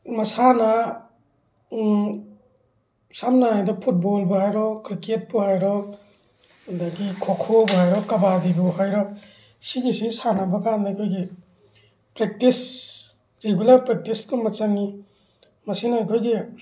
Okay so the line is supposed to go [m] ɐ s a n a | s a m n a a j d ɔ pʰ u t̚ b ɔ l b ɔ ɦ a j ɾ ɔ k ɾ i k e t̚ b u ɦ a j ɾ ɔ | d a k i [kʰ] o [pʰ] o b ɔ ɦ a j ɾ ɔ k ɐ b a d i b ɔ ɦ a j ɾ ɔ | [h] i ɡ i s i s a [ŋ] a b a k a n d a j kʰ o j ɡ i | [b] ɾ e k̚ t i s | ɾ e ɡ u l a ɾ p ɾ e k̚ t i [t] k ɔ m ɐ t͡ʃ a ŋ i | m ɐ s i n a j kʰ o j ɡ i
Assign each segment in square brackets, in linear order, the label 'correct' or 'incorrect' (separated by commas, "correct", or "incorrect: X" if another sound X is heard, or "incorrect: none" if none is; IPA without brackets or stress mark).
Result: correct, correct, incorrect: kʰ, incorrect: s, incorrect: n, incorrect: p, incorrect: s